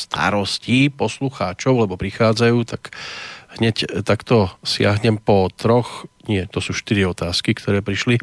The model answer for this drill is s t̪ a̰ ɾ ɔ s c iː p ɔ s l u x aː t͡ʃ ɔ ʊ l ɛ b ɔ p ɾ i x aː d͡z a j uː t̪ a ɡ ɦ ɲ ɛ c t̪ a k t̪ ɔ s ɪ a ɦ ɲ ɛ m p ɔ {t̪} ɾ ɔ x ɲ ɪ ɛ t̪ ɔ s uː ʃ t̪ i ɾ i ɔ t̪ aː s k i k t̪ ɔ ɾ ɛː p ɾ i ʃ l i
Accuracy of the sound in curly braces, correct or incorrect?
correct